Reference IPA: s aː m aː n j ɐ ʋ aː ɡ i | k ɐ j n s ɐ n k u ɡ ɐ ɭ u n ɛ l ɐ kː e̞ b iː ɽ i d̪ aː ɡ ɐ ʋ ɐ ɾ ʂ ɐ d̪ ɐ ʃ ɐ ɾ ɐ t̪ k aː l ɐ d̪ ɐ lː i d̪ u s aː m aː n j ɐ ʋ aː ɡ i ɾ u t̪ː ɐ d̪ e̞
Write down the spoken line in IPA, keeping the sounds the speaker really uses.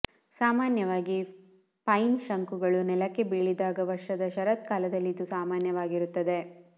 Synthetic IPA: s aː m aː n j ɐ ʋ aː ɡ i | p ɐ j n ʃ ɐ ŋ k u ɡ ɐ ɭ u n ɛ l ɐ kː e̞ b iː ɭ i d̪ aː ɡ ɐ ʋ ɐ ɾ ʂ ɐ d̪ ɐ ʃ ɐ ɾ ɐ t̪ k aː l ɐ d̪ ɐ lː i d̪ u s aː m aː n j ɐ ʋ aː ɡ i ɾ u t̪ː ɐ d̪ e̞